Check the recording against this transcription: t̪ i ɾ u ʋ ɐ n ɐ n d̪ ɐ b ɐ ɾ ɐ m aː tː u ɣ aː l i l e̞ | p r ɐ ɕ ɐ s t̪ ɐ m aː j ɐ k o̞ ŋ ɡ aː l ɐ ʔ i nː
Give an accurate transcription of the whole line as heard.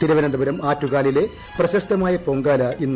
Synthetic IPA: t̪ i ɾ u ʋ ɐ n ɐ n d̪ ɐ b ɐ ɾ ɐ m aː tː u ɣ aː l i l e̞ | p r ɐ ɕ ɐ s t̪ ɐ m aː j ɐ p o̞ ŋ ɡ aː l ɐ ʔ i nː